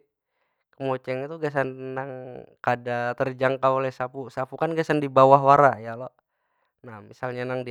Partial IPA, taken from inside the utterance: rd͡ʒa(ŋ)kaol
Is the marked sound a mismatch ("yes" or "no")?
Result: no